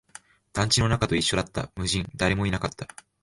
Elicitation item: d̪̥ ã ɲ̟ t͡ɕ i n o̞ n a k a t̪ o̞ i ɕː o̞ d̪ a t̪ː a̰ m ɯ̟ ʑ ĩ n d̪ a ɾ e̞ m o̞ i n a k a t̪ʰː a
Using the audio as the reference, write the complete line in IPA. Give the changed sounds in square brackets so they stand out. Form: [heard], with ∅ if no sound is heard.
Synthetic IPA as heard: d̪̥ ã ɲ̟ t͡ɕ i n o̞ n a k a t̪ o̞ i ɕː o̞ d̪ a t̪ː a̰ m ɯ̟ ʑ ĩ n d̪ a ɾ e̞ m o̞ i n a k a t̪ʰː a